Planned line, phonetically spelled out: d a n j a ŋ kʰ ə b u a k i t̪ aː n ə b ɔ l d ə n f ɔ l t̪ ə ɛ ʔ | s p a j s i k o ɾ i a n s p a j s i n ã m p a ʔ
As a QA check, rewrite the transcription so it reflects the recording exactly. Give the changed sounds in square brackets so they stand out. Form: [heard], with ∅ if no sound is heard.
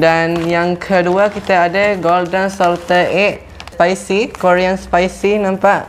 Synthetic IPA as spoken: d a n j a ŋ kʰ ə [d] u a k i t̪ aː [d] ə [ɡ] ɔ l d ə n [s] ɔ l t̪ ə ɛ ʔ | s p a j s i k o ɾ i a n s p a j s i n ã m p a ʔ